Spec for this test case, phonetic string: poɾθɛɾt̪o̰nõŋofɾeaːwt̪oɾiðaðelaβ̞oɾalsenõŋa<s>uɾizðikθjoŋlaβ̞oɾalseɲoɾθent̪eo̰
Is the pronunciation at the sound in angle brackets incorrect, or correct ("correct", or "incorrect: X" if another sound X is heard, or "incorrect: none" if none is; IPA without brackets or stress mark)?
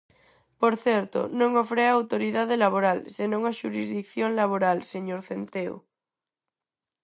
incorrect: ʃ